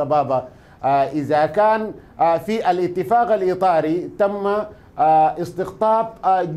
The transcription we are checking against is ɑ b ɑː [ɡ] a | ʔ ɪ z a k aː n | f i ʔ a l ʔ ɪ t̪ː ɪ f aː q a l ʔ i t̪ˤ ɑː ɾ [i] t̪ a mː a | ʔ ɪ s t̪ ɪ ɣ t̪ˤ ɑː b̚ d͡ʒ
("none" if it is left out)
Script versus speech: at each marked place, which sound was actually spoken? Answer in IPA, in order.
b, i

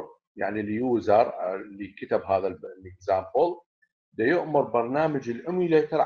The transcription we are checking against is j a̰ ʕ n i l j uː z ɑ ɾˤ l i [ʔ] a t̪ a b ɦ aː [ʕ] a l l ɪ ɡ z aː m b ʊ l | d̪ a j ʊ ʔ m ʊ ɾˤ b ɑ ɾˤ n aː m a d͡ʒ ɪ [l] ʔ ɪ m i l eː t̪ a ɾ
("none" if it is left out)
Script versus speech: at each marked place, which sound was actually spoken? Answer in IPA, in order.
k, ð, l

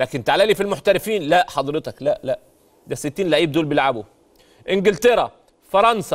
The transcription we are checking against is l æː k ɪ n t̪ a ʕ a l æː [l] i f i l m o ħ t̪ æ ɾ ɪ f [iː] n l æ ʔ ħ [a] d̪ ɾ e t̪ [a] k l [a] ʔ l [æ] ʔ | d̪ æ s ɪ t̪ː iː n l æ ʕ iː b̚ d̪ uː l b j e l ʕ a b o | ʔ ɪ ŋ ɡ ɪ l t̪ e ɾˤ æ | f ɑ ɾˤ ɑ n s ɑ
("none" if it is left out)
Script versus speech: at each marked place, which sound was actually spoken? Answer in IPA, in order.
l, iː, ɑ, ɑ, æ, æ

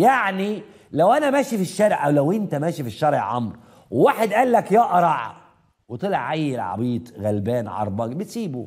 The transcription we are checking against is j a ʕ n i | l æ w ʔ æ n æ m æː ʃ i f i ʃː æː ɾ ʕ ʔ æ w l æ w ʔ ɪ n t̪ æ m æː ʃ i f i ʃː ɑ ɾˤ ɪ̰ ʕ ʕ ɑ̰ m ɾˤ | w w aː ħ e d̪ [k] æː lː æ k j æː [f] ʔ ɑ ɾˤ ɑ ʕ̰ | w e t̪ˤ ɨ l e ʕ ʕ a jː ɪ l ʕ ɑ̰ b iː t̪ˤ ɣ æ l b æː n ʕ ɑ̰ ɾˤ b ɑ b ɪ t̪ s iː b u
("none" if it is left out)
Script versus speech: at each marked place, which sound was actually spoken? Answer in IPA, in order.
ʔ, none

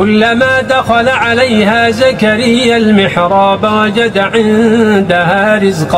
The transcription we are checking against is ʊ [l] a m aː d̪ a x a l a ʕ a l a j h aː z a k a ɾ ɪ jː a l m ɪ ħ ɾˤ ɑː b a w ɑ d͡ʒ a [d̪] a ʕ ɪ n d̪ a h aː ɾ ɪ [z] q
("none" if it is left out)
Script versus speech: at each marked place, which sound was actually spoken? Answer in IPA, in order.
lː, d̪, z

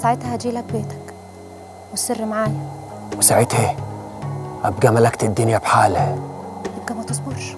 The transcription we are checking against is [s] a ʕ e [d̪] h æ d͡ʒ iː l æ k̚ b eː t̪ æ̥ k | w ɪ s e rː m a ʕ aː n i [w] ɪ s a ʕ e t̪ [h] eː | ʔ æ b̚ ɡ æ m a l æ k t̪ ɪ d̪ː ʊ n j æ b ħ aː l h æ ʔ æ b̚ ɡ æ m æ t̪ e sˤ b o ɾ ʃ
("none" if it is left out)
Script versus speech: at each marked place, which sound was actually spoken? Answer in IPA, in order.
s, t̪, w, h

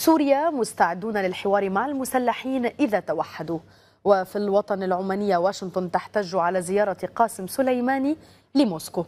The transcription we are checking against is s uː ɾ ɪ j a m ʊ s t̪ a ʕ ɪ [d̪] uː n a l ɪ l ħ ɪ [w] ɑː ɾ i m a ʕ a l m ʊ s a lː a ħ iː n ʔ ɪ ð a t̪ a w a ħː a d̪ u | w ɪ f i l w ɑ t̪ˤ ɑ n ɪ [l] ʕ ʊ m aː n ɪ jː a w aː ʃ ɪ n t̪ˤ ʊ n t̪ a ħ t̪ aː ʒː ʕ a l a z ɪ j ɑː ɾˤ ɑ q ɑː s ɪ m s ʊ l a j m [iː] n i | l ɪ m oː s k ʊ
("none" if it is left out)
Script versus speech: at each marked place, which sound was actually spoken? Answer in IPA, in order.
d̪ː, w, l, aː

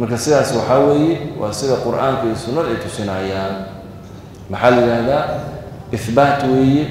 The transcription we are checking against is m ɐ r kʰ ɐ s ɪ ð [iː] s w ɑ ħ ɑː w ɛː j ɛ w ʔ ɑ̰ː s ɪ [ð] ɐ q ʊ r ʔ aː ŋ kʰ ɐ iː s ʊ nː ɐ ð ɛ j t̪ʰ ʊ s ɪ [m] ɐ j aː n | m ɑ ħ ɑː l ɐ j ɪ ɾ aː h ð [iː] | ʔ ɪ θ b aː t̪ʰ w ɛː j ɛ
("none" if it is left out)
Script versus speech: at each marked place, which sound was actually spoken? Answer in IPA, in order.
aː, ð, n, aː

